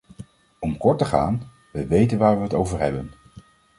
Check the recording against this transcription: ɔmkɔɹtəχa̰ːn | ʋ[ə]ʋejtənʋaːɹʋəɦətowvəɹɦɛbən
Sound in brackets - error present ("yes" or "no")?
no